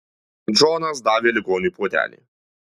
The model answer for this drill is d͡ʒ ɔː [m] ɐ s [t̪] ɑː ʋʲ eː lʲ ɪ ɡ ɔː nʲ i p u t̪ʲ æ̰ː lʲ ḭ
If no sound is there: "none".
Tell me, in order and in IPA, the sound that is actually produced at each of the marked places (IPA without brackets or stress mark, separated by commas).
n, d̪